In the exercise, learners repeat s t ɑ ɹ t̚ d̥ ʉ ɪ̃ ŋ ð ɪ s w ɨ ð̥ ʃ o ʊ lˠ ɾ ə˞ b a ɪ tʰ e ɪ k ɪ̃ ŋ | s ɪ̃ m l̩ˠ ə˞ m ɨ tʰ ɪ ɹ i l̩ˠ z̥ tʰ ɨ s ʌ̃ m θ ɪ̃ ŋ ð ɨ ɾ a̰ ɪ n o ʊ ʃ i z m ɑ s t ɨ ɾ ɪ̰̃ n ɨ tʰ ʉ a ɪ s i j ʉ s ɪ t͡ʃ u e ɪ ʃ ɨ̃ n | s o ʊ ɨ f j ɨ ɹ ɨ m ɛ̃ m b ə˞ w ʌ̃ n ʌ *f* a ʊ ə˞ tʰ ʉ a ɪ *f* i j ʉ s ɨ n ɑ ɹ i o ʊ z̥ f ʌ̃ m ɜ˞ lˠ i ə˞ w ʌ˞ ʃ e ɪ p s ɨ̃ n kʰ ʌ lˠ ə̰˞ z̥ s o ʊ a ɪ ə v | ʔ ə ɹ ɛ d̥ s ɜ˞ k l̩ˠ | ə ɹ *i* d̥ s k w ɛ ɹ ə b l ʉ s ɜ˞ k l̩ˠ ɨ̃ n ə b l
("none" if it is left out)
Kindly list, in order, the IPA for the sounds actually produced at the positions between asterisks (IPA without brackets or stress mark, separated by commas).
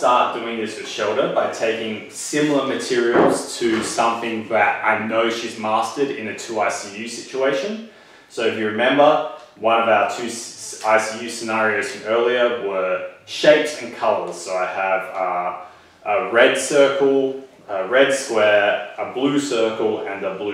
v, s, ɛ